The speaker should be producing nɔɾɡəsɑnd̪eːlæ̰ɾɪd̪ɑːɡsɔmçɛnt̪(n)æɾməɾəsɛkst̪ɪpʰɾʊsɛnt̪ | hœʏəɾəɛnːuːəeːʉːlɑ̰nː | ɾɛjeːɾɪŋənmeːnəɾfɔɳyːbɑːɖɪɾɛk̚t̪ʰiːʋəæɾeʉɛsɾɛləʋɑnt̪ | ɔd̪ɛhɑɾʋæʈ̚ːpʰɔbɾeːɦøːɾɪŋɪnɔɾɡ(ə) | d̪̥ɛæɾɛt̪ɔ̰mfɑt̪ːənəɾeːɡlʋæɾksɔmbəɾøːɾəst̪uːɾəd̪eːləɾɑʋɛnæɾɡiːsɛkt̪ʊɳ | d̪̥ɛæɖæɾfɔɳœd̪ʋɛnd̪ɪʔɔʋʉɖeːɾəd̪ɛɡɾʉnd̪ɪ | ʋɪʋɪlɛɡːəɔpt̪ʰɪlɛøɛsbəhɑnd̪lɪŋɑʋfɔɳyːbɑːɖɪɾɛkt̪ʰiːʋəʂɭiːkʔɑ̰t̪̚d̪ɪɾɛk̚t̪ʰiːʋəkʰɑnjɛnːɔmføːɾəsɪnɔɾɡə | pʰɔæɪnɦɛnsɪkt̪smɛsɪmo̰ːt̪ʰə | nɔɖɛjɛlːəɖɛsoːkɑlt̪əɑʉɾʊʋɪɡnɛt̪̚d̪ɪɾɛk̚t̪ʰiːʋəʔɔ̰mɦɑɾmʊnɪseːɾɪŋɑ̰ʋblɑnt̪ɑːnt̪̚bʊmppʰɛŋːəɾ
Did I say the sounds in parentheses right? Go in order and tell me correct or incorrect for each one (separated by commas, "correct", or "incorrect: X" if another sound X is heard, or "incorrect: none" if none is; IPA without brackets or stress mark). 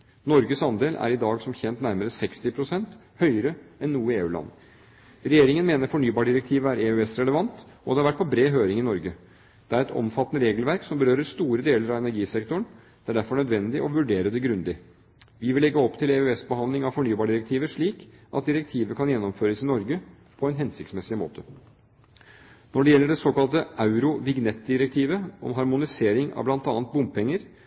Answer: correct, correct